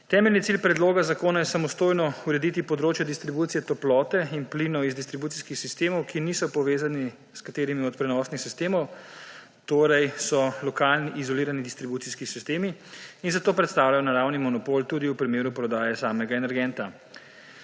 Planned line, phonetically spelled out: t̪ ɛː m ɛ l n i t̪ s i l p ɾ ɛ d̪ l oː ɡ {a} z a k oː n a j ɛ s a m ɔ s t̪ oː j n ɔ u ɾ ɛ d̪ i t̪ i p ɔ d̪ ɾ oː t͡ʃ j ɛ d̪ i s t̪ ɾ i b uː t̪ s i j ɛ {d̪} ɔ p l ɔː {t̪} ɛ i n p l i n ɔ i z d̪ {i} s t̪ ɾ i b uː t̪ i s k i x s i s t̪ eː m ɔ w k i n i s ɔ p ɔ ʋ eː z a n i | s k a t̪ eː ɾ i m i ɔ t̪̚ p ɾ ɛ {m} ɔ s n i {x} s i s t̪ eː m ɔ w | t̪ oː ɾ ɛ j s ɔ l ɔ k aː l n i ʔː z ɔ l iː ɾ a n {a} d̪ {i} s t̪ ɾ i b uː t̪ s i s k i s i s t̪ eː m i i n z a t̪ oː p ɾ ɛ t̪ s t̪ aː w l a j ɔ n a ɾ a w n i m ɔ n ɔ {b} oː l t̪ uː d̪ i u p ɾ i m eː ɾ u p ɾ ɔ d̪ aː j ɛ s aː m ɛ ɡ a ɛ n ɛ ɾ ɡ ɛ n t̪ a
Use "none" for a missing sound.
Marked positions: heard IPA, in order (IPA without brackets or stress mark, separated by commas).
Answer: a, t̪, t̪, i, n, x, i, i, p